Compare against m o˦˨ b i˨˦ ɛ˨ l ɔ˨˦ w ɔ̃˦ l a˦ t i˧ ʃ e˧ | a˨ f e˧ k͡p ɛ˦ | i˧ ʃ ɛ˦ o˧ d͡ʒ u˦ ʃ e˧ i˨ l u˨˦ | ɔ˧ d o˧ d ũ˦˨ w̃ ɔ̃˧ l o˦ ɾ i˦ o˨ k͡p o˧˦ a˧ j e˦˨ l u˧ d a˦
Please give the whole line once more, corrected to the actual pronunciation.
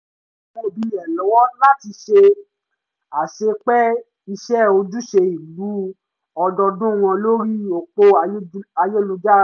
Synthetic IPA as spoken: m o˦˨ b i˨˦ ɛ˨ l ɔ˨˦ w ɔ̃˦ l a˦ t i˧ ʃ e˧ | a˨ ʃ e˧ k͡p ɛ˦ | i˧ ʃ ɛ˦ o˧ d͡ʒ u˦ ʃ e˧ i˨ l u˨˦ | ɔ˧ d ɔ˧ d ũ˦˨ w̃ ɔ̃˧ l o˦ ɾ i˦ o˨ k͡p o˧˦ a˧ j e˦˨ l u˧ d͡ʒ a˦

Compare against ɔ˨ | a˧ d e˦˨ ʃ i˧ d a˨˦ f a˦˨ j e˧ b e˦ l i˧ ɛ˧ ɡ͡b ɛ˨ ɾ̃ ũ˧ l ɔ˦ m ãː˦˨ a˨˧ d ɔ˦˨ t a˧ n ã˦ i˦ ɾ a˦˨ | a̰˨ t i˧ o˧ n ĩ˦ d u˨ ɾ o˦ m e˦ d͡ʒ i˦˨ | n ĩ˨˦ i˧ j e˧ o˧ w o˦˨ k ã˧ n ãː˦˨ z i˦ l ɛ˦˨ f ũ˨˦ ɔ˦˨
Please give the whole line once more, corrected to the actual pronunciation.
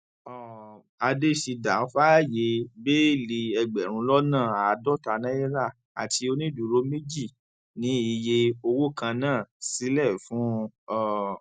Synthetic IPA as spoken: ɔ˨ | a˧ d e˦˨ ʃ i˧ d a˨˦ f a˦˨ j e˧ b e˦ l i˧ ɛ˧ ɡ͡b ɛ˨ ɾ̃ ũ˧ l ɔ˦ n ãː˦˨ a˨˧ d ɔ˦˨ t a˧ n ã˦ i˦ ɾ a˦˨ | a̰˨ t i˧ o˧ n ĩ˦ d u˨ ɾ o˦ m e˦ d͡ʒ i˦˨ | n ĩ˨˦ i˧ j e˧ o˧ w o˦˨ k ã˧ n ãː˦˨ s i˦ l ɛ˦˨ f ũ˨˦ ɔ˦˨

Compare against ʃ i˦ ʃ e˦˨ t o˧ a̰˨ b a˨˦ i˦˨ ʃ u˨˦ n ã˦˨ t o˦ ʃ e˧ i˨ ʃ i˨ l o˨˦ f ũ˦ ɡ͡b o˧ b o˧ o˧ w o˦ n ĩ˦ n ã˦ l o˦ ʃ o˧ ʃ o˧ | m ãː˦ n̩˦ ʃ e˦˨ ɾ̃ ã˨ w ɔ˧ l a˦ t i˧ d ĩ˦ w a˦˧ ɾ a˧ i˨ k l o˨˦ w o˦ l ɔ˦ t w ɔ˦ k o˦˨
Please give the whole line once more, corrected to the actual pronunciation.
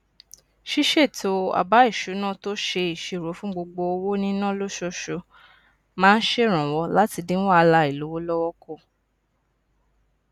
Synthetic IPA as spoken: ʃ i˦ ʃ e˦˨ t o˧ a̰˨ b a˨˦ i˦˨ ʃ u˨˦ n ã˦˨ t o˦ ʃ e˧ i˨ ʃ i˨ ɾ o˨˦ f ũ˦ ɡ͡b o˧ ɡ͡b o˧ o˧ w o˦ n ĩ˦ n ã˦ l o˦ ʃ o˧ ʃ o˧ | m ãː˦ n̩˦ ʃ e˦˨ ɾ̃ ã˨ w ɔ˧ l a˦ t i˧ d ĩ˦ w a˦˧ l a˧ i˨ l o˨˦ w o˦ l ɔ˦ w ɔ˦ k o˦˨

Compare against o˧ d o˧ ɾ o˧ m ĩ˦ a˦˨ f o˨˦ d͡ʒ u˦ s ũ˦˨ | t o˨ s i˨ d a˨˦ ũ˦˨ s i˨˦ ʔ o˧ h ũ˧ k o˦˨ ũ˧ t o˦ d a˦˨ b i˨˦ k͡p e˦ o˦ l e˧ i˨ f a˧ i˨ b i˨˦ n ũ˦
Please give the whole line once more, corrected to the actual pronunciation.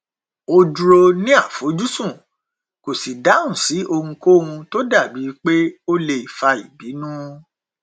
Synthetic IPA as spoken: o˧ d u˧ ɾ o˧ n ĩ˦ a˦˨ f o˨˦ d͡ʒ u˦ s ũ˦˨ | k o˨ s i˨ d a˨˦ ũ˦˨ s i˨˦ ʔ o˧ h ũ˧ k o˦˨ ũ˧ t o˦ d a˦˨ b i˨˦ k͡p e˦ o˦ l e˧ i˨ f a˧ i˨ b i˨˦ n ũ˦

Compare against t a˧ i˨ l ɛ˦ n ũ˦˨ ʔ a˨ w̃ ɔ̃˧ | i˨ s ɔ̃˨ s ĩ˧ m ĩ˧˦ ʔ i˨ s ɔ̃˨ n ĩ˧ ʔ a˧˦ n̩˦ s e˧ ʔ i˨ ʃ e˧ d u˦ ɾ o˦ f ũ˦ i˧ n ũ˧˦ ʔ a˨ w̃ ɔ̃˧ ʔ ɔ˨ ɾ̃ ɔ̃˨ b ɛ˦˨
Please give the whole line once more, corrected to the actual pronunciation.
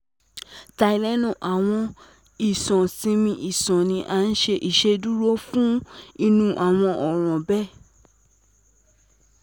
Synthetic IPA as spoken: t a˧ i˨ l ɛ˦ n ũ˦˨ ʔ a˨ w̃ ɔ̃˧ | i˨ s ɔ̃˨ s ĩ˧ m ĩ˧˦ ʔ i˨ s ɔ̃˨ n ĩ˧ ʔ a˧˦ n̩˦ ʃ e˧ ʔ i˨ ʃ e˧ d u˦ ɾ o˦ f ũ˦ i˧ n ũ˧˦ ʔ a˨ w̃ ɔ̃˧ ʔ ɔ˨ ɾ̃ ɔ̃˨ b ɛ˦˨

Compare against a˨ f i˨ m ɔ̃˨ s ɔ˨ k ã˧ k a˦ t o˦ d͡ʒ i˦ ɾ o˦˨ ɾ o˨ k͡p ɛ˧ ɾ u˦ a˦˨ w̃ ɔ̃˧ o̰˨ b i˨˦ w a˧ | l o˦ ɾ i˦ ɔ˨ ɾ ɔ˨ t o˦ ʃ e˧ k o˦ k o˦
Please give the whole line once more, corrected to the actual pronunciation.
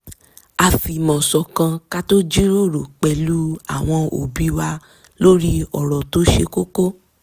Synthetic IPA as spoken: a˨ f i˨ m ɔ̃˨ s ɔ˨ k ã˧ k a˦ t o˦ d͡ʒ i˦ ɾ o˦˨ ɾ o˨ k͡p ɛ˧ l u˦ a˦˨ w̃ ɔ̃˧ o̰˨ b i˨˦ w a˧ | l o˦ ɾ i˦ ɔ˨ ɾ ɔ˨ t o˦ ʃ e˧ k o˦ k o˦

